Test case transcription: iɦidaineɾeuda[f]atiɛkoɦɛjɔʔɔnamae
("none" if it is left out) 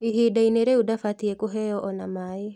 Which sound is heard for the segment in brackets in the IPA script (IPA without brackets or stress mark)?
f